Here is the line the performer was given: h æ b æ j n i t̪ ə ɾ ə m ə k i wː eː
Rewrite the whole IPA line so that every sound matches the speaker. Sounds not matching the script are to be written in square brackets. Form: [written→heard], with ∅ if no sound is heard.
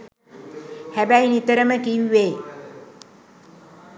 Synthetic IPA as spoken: h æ b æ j n i t̪ ə ɾ ə m ə k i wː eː